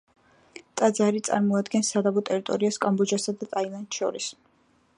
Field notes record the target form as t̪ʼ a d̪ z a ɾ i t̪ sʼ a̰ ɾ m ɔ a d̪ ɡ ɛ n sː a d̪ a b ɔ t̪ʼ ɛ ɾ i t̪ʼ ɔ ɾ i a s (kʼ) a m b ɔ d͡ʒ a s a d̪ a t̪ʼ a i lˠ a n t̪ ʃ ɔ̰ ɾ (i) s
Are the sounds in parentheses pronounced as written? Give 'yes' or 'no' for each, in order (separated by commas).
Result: yes, yes